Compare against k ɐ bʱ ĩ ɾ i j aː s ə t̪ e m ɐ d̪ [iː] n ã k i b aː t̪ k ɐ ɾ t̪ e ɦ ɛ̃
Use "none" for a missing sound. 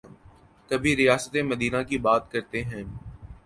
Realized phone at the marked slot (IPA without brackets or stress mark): iː